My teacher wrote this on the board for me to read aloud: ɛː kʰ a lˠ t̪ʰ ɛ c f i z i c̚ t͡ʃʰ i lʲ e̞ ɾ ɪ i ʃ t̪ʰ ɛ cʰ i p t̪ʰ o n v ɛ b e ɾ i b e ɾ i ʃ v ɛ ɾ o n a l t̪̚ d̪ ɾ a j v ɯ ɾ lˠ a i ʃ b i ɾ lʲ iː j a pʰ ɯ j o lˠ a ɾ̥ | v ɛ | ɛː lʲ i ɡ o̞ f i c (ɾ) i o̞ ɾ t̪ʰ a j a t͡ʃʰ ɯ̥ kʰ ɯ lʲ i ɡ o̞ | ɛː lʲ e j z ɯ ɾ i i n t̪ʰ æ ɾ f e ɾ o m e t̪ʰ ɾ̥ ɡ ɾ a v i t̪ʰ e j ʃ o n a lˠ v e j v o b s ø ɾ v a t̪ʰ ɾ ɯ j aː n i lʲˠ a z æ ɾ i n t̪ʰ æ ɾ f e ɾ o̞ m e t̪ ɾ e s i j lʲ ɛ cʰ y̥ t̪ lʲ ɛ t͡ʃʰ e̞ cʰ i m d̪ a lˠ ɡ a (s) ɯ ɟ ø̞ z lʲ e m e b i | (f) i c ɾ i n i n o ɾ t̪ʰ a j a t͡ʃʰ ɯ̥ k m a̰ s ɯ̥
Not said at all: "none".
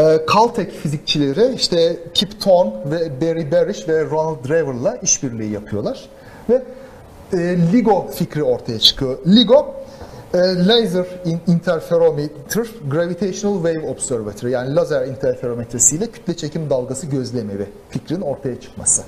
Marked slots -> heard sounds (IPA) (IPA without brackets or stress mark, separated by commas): ɾ, s, f